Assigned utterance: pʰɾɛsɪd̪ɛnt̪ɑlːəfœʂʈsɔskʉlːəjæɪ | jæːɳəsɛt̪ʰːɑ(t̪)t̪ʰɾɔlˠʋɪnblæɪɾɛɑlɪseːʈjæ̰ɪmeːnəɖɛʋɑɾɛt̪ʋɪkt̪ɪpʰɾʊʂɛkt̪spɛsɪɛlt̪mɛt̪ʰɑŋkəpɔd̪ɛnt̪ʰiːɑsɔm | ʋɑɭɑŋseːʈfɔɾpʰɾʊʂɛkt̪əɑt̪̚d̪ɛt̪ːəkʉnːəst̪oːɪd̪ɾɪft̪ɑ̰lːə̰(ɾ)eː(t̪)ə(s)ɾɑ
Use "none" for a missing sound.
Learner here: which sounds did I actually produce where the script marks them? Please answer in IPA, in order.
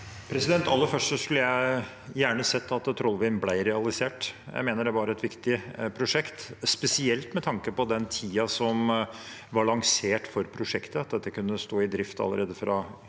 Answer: t̪, ɾ, d̪, f

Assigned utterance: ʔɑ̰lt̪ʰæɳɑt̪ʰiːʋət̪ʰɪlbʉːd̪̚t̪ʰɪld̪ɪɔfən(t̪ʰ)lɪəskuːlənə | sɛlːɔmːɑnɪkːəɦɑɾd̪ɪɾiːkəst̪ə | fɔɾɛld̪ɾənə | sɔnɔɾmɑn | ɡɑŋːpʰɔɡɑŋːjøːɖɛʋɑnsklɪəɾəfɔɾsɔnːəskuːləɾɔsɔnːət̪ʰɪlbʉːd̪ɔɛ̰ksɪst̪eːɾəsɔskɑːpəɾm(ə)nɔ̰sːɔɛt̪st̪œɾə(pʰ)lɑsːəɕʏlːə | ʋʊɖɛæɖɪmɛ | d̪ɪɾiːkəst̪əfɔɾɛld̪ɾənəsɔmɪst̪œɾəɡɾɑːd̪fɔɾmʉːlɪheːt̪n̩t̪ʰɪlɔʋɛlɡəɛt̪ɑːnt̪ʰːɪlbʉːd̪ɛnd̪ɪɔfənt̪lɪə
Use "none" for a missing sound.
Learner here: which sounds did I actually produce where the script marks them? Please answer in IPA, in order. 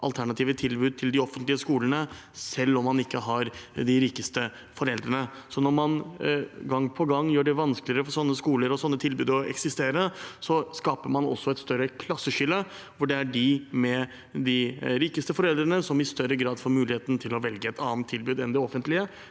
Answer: t̪, ɑ, kʰ

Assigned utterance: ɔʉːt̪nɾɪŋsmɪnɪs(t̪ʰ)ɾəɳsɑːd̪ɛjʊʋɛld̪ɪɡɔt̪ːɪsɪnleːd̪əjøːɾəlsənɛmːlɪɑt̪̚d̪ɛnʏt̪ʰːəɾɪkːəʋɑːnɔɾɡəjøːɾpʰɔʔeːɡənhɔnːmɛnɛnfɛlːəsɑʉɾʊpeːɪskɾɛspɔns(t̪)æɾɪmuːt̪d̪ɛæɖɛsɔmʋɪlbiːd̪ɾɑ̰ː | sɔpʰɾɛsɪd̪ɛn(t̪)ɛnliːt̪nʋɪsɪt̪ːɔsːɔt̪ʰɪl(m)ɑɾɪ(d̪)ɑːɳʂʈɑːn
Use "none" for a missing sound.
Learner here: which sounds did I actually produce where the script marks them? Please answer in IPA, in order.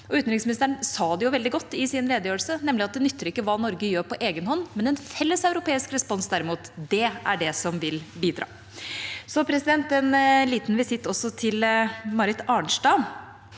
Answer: t̪, d̪, t̪, m, t̪

